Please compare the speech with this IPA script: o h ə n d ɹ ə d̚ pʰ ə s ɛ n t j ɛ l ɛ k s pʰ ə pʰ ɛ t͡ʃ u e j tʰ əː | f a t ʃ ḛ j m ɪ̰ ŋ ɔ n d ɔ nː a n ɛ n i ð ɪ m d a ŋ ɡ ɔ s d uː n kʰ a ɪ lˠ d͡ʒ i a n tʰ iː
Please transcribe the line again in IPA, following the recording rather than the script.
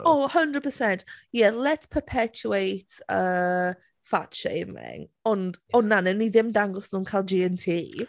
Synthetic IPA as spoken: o h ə n d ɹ ə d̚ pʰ ə s ɛ n t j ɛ l ɛ t s pʰ ə pʰ ɛ t͡ʃ u e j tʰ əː | f a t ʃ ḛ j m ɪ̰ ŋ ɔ n d ɔ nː a n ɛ n i ð ɪ m d a ŋ ɡ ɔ s n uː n kʰ a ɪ lˠ d͡ʒ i ɛ n tʰ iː

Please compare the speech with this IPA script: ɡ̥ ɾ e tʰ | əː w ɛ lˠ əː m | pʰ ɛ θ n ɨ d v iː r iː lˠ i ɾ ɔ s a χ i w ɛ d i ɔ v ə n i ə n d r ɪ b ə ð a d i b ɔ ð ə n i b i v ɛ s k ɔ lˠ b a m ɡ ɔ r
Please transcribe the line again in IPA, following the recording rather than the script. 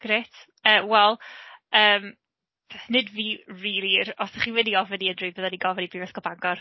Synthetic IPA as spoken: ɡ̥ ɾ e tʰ | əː w ɛ lˠ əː m | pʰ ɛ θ n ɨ d v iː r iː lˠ i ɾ ɔ s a χ i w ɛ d i ɔ v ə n i ə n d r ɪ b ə ð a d i ɡ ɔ v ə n i b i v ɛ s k ɔ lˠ b a ŋ ɡ ɔ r

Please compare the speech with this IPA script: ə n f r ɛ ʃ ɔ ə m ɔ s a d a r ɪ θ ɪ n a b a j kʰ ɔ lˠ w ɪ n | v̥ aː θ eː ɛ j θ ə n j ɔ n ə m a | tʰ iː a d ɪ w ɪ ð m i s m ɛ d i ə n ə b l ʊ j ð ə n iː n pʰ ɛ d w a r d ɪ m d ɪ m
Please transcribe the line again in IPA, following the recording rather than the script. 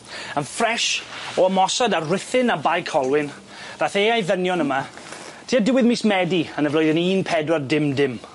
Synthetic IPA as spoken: ə n f r ɛ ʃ ɔ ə m ɔ s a d a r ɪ θ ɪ n a b a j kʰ ɔ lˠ w ɪ n | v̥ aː θ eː a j ð ə n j ɔ n ə m a | tʰ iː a d ɪ w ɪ ð m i s m ɛ d i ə n ə v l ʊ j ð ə n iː n pʰ ɛ d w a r d ɪ m d ɪ m

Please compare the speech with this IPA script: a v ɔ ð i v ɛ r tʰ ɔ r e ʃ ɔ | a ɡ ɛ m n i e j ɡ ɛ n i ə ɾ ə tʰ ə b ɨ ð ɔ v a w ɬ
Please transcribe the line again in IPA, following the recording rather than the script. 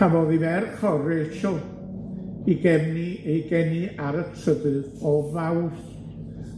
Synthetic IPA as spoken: a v ɔ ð i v ɛ r kʰ ɔ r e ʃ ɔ | i ɡ ɛ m n i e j ɡ ɛ n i a ɾ ə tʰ ə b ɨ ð ɔ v a w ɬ

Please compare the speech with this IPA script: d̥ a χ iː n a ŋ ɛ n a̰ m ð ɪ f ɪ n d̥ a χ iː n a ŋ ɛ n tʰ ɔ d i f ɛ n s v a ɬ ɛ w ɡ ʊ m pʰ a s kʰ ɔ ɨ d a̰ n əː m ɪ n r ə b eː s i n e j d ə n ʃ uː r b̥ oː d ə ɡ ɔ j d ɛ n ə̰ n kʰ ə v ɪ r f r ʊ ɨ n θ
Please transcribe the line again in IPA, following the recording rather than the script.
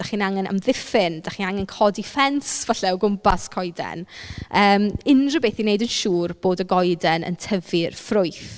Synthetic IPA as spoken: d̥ a χ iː n a ŋ ɛ n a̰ m ð ɪ f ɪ n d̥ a χ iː n a ŋ ɛ n kʰ ɔ d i f ɛ n s v a ɬ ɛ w ɡ ʊ m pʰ a s kʰ ɔ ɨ d ɛ̰ n əː m ɪ n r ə b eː θ i n e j d ə n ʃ uː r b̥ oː d ə ɡ ɔ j d ɛ n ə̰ n tʰ ə v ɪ r f r ʊ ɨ θ

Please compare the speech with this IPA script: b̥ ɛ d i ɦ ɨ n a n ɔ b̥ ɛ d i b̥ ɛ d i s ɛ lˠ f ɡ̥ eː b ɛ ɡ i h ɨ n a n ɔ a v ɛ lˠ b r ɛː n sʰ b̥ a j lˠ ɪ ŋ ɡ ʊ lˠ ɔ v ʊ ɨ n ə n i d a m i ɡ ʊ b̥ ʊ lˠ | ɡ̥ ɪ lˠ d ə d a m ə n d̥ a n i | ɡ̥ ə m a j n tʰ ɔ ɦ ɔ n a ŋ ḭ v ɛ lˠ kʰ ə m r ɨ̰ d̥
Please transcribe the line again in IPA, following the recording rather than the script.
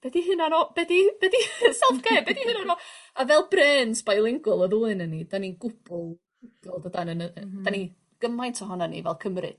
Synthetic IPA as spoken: b̥ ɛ d i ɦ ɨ n a n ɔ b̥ ɛ d i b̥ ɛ d i s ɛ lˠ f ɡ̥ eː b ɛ d i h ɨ n a n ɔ a v ɛ lˠ b r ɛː n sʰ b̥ a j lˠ ɪ ŋ ɡ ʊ lˠ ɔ ð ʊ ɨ n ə n i d a n i ɡ ʊ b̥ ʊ lˠ | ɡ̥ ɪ lˠ d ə d a n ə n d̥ a n i | ɡ̥ ə m a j n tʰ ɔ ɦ ɔ n a n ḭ v ɛ lˠ kʰ ə m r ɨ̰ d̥

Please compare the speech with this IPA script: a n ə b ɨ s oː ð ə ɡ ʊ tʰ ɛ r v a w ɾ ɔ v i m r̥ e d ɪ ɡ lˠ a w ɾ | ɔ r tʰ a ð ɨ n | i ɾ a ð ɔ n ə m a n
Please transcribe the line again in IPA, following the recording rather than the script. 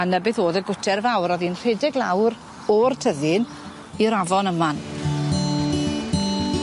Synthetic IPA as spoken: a n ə b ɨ θ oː ð ə ɡ ʊ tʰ ɛ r v a w ɾ ɔ ð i n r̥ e d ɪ ɡ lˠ a w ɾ | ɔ r tʰ ə ð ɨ n | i ɾ a v ɔ n ə m a n

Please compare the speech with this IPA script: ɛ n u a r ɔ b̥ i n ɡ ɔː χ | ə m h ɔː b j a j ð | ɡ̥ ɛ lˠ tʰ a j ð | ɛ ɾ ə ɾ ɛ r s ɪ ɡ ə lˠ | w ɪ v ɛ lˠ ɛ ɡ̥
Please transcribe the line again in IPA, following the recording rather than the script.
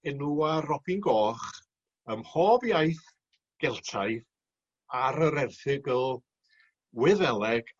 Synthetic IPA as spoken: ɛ n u a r ɔ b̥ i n ɡ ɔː χ | ə m h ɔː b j a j θ | ɡ̥ ɛ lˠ tʰ a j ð | a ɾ ə ɾ ɛ r θ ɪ ɡ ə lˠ | w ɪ ð ɛ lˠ ɛ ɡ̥

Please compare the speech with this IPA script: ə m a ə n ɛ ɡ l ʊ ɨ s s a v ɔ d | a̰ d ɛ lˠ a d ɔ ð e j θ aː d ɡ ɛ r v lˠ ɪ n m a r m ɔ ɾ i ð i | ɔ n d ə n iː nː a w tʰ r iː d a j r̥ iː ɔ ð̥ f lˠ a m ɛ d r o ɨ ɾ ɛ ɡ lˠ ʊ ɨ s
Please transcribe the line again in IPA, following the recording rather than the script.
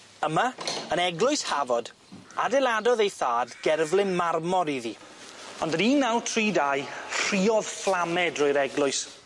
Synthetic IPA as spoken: ə m a ə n ɛ ɡ l ʊ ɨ s h a v ɔ d | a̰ d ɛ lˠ a d ɔ ð e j θ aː d ɡ ɛ r v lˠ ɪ n m a r m ɔ ɾ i ð i | ɔ n d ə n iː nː a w tʰ r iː d a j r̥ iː ɔ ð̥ f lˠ a m ɛ d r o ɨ ɾ ɛ ɡ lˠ ʊ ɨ s

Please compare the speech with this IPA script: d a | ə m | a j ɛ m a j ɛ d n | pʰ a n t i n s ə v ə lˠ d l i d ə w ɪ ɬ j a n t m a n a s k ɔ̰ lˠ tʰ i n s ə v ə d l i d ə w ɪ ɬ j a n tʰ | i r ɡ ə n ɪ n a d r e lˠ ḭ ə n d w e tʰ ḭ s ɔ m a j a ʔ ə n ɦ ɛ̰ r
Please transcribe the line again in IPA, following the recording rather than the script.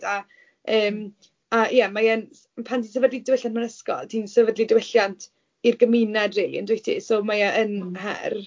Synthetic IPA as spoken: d a | əː m | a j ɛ m a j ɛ n | pʰ a n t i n s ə v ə d l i d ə w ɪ ɬ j a n t m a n ə s k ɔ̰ lˠ tʰ i n s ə v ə d l i d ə w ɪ ɬ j a n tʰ | i r ɡ ə m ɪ n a d r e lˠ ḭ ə n d w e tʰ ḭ s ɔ m a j a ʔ ə n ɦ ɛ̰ r

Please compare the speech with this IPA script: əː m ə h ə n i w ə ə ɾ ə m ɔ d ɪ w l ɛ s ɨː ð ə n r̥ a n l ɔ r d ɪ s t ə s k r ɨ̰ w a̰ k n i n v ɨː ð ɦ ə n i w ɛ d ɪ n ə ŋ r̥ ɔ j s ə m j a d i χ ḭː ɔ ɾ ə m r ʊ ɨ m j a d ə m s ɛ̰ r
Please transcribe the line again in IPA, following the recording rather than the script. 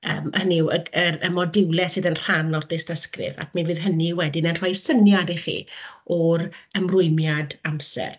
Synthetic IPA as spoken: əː m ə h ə n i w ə ə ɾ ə m ɔ d ɪ w l ɛ s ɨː ð ə n r̥ a n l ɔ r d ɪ s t ə s k r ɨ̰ v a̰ k m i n v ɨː ð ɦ ə n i w ɛ d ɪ n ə n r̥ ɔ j s ə n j a d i χ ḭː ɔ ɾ ə m r ʊ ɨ m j a d a m s ɛ̰ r

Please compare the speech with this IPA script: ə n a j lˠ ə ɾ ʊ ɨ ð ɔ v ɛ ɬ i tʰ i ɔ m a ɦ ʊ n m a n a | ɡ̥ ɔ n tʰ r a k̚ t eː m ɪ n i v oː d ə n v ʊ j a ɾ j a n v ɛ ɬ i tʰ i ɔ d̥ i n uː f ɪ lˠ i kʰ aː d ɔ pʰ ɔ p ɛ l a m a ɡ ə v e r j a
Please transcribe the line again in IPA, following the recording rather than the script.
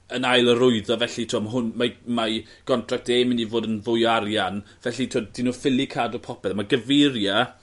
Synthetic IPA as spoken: ə n a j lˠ ə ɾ ʊ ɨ ð ɔ v ɛ ɬ i tʰ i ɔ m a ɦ ʊ n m a m a | ɡ̥ ɔ n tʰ r a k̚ t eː m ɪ n i v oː d ə n v ʊ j a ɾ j a n v ɛ ɬ i tʰ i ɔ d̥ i n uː f ɪ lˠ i kʰ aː d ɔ pʰ ɔ p ɛ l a m a ɡ ə v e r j a

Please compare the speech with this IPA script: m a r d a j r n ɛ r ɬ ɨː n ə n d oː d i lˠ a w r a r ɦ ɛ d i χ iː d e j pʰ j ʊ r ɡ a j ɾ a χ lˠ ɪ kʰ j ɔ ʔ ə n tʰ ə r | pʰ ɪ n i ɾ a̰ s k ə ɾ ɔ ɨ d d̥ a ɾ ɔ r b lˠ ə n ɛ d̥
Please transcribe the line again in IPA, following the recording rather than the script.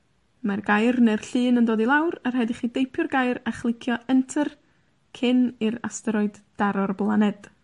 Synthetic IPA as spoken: m a r ɡ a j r n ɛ r ɬ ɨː n ə n d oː d i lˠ a w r a r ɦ ɛ d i χ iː d e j pʰ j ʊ r ɡ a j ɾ a χ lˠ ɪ kʰ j ɔ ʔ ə n tʰ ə r | kʰ ɪ n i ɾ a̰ s t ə ɾ ɔ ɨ d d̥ a ɾ ɔ r b lˠ a n ɛ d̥

